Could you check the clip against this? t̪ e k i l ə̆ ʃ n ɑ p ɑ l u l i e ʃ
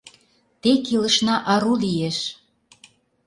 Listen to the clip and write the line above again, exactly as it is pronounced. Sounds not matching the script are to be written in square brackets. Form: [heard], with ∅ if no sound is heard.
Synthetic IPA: t̪ e k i l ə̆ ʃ n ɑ [ʔ] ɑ [ɾ] u l i e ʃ